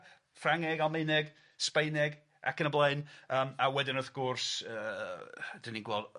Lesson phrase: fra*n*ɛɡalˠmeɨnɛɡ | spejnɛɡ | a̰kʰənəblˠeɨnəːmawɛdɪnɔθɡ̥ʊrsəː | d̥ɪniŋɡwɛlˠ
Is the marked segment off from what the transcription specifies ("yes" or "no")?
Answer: yes